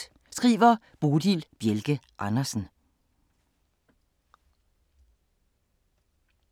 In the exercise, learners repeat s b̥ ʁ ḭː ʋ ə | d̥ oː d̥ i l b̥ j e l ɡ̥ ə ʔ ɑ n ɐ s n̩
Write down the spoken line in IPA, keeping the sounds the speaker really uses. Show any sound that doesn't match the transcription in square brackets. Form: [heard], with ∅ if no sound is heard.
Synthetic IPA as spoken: s [ɡ̥] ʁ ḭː ʋ [ɐ] | [b̥] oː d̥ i l b̥ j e l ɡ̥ ə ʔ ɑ n ɐ s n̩